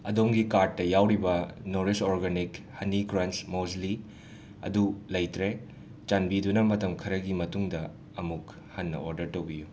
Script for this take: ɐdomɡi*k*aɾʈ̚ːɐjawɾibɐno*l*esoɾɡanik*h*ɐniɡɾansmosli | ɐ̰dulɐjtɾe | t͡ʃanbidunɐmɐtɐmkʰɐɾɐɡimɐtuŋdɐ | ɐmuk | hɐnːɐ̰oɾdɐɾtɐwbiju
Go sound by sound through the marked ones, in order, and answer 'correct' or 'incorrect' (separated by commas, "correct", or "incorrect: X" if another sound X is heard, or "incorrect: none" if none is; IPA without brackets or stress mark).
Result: correct, incorrect: ɾ, correct